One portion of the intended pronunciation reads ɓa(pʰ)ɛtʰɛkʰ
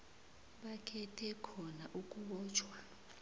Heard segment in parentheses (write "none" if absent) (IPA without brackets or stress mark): kʰ